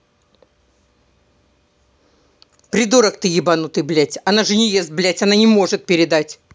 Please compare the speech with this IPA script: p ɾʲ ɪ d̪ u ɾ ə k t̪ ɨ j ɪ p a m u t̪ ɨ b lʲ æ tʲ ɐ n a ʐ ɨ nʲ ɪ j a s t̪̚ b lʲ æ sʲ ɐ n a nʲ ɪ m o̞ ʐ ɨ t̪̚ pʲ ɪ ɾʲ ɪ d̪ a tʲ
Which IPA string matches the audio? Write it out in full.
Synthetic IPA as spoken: p ɾʲ ɪ d̪ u ɾ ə k t̪ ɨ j ɪ b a n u t̪ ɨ b lʲ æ tʲ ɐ n a ʐ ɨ nʲ ɪ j e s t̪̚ b lʲ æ tʲ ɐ n a nʲ ɪ m o̞ ʐ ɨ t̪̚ pʲ ɪ ɾʲ ɪ d̪ a tʲ